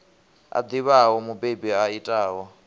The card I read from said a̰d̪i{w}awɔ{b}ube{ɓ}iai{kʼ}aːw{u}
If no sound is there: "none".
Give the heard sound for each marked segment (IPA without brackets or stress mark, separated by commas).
β, m, b, tʼ, ɔ